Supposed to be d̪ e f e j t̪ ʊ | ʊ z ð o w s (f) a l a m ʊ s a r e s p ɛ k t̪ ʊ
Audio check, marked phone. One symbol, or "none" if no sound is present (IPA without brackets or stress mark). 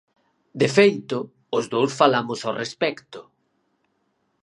f